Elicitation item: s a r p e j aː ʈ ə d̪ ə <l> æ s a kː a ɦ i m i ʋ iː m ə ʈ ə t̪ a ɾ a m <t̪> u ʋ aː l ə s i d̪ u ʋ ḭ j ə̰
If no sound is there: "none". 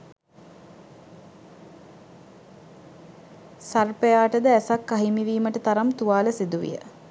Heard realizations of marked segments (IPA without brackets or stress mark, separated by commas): none, t̪